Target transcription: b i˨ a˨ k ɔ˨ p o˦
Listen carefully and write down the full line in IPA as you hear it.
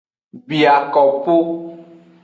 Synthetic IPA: b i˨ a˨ k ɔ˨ p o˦